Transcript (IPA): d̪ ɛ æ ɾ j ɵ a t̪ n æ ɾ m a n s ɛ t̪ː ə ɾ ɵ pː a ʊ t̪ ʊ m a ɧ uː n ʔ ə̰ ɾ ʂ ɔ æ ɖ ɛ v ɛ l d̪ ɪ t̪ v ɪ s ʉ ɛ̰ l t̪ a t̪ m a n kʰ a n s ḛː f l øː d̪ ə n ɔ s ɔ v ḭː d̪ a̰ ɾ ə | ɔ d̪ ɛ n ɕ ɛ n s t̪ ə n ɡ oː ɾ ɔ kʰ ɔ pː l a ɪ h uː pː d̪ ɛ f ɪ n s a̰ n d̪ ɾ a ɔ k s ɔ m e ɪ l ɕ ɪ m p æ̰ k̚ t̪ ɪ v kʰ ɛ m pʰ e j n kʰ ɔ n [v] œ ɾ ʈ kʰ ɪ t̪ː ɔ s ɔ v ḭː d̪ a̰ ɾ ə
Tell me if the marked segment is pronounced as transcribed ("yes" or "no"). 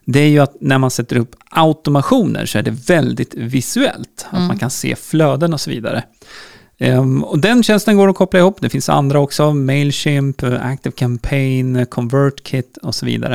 yes